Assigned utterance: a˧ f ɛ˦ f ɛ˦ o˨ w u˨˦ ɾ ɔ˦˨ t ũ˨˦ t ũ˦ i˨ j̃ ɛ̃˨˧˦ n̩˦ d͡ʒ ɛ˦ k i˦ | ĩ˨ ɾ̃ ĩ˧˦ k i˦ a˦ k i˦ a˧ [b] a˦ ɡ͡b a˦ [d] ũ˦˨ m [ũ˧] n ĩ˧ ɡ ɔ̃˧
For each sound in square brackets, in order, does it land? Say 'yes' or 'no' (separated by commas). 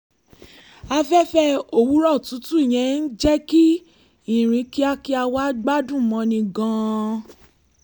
no, yes, no